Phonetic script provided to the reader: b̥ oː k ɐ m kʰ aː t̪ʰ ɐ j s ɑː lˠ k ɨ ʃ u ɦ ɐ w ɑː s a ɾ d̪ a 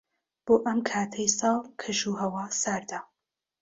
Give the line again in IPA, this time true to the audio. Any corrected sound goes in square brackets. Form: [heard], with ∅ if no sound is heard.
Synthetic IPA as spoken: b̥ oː [ʔ] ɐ m kʰ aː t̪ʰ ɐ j s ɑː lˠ [kʰ] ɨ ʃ u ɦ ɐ w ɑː s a ɾ d̪ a